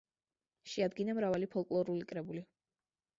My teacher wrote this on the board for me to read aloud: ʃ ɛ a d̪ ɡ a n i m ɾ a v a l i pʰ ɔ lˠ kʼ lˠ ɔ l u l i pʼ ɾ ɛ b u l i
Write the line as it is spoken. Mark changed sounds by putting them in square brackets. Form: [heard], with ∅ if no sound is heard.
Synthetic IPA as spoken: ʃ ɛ a d̪ ɡ [i] n [a] m ɾ a v a l i pʰ ɔ lˠ kʼ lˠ ɔ [ɾ] u l i [kʼ] ɾ ɛ b u l i